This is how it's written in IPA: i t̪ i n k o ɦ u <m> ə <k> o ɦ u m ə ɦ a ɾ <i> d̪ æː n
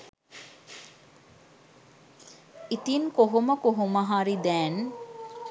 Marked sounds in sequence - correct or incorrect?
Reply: correct, correct, correct

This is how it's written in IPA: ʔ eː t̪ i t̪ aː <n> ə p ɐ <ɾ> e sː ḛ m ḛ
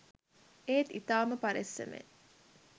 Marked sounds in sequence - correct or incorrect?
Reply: incorrect: m, correct

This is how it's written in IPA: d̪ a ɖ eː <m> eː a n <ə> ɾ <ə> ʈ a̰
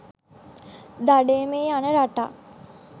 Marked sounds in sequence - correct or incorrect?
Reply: correct, correct, incorrect: a

